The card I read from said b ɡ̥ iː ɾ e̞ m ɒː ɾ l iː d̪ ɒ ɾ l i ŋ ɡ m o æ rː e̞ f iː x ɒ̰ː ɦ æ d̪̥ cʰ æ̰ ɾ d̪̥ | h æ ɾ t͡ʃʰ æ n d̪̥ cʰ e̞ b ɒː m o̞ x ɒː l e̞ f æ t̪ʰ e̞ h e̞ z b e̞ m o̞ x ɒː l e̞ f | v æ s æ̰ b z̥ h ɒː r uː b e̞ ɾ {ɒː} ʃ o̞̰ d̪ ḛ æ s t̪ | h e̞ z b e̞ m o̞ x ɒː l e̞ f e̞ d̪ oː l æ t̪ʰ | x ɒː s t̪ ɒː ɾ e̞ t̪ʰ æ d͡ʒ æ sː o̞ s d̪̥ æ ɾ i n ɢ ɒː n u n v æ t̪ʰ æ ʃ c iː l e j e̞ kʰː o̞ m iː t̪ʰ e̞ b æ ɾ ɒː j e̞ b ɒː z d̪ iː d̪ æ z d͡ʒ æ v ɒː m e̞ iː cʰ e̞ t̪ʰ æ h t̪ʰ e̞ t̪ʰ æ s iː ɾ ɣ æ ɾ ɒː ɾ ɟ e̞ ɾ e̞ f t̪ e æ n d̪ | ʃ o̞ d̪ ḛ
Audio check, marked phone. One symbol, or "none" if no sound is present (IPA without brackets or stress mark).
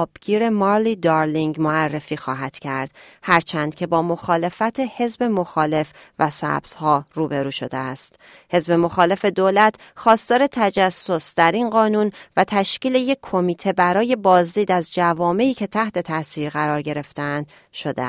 uː